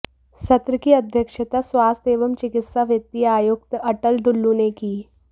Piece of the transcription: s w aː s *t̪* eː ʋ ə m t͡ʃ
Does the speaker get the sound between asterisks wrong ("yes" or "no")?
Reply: no